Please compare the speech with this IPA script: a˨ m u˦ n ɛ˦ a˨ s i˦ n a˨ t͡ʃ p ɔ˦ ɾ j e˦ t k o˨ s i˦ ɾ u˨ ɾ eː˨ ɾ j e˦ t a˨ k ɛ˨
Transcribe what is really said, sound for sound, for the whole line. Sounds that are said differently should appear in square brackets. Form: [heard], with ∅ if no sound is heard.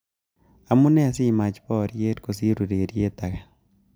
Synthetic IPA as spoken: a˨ m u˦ n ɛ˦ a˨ s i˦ [m] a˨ t͡ʃ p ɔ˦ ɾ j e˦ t k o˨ s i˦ ɾ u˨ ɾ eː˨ ɾ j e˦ t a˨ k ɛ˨